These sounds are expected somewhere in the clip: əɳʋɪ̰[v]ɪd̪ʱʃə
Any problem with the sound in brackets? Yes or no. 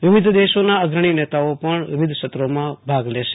yes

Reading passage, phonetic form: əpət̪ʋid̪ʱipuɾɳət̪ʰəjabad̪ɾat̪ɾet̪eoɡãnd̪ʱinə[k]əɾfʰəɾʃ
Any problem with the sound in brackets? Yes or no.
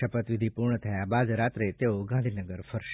yes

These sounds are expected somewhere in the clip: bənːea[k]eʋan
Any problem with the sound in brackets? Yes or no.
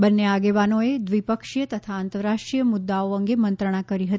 yes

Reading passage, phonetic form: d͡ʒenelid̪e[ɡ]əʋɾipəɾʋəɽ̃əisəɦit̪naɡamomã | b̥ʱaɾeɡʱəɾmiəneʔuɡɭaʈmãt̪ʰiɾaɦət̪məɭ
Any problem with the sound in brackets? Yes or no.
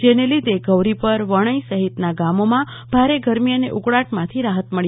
no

